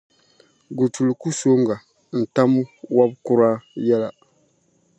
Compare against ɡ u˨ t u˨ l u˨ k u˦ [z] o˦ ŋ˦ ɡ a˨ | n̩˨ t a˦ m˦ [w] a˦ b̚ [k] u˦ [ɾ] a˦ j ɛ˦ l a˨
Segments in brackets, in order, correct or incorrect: incorrect, correct, correct, correct

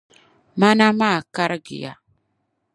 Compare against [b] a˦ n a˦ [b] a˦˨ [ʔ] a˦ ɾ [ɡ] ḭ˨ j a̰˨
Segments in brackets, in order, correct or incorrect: incorrect, incorrect, incorrect, correct

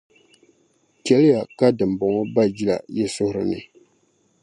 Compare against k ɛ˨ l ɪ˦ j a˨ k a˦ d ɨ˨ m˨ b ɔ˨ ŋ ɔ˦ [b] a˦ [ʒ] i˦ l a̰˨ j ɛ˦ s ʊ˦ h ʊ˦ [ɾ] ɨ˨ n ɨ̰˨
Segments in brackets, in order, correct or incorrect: correct, incorrect, correct

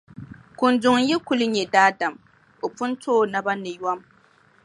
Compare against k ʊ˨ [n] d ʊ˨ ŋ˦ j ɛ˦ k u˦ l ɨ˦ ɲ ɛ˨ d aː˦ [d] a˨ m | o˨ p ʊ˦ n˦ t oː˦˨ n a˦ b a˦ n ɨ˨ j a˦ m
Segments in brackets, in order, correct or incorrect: correct, correct

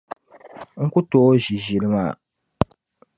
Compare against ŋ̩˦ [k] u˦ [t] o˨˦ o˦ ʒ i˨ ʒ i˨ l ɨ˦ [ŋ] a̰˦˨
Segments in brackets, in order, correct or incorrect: correct, correct, incorrect

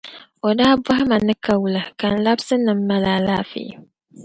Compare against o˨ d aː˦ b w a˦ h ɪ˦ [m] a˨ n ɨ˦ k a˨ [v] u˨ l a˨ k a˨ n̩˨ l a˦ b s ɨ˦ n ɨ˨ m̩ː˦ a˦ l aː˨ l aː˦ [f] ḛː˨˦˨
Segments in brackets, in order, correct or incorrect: correct, incorrect, correct

